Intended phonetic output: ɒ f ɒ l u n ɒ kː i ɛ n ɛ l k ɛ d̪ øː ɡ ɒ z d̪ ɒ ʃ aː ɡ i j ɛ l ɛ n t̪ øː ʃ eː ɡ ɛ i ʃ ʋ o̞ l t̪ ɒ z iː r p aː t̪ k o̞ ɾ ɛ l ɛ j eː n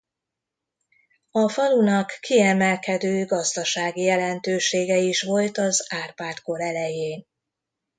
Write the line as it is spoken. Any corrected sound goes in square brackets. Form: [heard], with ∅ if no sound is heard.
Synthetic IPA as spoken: ɒ f ɒ l u n ɒ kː i ɛ [m] ɛ l k ɛ d̪ øː ɡ ɒ z d̪ ɒ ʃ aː ɡ i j ɛ l ɛ n t̪ øː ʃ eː ɡ ɛ i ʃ ʋ o̞ l t̪ ɒ z [aː] r p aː t̪ k o̞ ɾ ɛ l ɛ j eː n